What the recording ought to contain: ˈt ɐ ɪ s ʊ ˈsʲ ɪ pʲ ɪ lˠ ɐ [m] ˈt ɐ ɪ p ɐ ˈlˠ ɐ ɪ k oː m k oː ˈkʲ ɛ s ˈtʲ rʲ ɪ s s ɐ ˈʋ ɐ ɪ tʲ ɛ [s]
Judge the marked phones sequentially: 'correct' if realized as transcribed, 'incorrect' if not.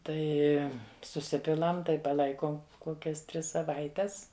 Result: correct, correct

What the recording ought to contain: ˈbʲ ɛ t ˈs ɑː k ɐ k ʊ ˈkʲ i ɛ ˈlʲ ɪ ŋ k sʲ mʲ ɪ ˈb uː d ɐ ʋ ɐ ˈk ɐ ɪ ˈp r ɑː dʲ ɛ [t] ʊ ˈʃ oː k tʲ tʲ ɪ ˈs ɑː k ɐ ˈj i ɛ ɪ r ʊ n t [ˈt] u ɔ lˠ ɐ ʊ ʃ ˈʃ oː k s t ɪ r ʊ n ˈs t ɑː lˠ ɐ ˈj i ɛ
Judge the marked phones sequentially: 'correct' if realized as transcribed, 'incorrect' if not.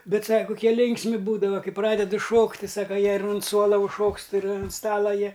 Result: incorrect: d, incorrect: s

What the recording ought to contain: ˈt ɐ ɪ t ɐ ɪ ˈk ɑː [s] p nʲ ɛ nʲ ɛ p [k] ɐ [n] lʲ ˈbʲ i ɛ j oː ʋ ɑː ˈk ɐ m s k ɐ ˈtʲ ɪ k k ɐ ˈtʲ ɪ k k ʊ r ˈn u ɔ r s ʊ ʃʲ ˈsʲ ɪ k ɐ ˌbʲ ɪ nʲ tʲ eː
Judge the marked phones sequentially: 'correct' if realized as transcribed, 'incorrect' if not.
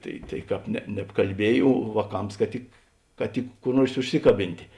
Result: incorrect: none, correct, incorrect: none

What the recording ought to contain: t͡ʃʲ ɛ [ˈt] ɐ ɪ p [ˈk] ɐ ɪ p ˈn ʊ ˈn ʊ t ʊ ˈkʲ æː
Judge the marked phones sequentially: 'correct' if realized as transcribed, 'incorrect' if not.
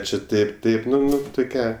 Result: correct, incorrect: t

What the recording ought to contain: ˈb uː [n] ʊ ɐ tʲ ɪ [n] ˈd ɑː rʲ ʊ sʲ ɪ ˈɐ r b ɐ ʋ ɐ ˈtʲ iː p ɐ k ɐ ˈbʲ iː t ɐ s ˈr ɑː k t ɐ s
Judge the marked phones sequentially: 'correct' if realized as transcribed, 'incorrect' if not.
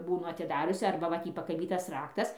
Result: correct, incorrect: none

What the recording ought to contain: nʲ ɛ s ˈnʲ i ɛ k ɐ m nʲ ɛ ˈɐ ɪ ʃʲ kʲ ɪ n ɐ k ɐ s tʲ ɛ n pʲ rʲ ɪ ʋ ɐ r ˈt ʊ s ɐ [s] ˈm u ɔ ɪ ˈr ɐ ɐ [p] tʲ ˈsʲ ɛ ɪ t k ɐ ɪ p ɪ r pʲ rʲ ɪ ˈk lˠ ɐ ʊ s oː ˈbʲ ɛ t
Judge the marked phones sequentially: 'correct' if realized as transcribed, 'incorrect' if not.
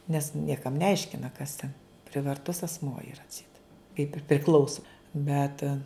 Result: correct, incorrect: none

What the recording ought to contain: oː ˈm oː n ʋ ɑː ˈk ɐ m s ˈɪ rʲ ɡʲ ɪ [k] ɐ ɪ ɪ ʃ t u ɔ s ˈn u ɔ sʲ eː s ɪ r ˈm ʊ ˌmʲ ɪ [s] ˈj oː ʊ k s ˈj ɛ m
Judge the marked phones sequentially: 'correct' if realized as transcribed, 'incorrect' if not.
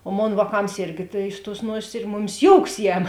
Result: incorrect: t, correct

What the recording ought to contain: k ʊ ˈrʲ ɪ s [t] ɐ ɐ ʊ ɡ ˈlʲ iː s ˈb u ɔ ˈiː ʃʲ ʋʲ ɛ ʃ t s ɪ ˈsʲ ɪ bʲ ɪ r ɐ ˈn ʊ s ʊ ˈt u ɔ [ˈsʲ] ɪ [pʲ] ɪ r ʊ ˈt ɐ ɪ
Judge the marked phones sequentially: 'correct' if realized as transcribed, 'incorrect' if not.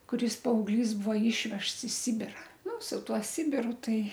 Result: incorrect: p, correct, incorrect: bʲ

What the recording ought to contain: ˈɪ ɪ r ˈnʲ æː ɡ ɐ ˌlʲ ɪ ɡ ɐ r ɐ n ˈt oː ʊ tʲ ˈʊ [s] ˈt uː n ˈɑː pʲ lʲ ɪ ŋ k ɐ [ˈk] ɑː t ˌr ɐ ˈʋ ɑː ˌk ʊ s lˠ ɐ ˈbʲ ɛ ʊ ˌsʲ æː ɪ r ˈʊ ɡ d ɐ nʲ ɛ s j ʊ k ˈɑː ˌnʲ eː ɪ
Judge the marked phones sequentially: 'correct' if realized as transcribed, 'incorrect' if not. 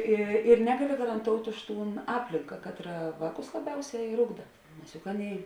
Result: incorrect: ʃ, correct

